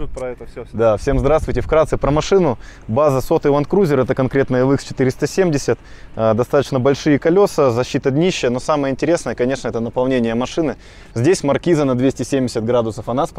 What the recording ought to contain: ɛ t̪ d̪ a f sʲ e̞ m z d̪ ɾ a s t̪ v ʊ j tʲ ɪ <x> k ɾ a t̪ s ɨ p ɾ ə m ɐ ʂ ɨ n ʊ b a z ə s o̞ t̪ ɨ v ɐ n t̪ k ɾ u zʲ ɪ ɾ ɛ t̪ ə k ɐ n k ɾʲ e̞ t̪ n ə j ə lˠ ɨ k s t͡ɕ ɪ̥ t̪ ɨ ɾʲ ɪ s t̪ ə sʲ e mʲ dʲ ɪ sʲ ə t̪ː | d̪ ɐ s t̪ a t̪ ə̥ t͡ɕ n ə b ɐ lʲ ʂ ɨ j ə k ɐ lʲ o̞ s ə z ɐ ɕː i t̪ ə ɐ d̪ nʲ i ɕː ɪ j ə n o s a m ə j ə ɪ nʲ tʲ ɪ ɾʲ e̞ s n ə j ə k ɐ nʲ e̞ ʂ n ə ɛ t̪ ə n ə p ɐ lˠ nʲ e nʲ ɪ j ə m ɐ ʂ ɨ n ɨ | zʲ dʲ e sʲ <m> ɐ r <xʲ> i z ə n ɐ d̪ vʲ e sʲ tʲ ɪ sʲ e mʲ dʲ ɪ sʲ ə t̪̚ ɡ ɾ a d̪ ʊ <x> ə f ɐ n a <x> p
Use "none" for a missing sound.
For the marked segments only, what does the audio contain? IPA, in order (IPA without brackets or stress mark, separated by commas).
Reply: f, m, kʲ, s, s